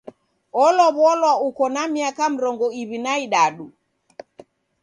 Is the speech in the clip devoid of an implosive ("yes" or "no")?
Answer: no